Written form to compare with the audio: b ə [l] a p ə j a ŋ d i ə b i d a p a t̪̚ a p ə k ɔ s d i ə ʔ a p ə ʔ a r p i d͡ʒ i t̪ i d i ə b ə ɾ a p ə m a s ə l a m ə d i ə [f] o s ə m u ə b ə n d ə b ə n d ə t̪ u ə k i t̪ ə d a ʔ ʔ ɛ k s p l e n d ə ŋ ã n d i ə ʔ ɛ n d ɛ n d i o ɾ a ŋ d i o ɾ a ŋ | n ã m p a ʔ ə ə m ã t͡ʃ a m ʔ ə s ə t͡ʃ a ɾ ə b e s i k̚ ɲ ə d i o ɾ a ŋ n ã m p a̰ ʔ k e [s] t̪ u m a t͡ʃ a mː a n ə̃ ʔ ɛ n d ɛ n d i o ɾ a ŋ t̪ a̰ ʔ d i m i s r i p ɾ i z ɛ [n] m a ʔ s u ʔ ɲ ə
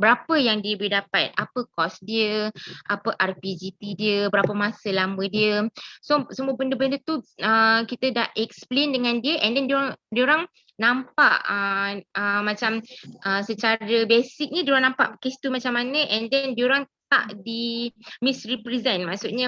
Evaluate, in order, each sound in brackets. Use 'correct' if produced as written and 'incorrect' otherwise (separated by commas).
incorrect, incorrect, correct, correct